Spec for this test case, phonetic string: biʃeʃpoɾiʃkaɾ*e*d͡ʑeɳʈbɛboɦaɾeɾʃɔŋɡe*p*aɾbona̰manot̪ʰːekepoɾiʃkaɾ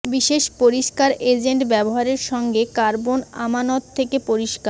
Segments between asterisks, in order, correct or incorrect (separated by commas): correct, incorrect